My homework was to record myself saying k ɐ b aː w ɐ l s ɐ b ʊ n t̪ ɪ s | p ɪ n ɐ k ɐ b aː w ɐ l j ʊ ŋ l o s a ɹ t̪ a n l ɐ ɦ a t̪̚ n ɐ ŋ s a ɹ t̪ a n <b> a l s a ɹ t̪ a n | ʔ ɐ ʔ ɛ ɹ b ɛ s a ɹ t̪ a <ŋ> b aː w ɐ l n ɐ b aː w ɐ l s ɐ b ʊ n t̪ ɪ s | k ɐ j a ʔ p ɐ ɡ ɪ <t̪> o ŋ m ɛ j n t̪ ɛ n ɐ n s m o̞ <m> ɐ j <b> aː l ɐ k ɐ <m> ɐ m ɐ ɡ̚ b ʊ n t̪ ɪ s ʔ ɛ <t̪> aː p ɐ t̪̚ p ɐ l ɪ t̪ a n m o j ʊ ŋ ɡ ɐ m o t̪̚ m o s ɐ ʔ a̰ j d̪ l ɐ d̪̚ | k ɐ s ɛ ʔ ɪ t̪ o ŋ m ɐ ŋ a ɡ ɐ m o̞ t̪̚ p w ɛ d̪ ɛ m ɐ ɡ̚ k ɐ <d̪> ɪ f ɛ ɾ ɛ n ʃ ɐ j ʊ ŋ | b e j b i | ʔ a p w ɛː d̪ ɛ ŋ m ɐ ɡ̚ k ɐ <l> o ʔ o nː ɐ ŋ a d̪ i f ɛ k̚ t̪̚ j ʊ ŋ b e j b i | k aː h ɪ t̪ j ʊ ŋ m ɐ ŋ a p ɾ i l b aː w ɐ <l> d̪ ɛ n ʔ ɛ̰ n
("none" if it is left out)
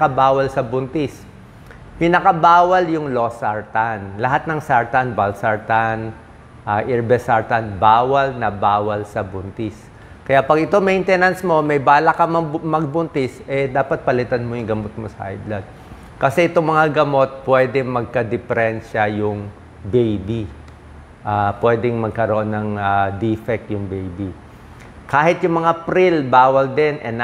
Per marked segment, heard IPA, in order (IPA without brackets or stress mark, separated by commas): b, n, t̪, m, b, m, d̪, d̪, ɾ, l